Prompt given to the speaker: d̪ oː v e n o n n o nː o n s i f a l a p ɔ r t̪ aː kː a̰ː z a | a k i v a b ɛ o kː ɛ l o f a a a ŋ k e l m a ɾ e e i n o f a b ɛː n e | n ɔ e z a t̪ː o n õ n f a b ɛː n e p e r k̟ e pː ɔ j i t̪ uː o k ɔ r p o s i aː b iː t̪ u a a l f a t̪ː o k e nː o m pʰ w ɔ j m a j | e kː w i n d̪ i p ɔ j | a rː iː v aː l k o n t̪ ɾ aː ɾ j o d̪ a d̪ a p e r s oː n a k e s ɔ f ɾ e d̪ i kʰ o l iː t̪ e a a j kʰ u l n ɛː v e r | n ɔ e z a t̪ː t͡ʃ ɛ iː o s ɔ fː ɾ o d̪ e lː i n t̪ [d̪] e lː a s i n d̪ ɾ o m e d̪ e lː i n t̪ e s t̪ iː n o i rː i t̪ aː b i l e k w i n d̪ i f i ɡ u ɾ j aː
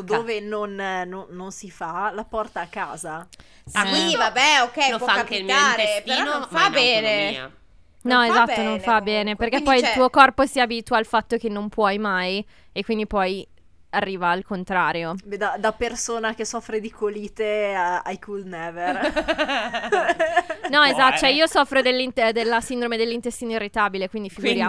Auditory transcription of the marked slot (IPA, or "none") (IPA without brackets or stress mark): d̪